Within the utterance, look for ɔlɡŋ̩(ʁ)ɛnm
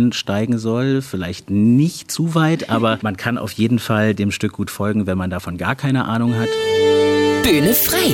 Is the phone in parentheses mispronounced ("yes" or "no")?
yes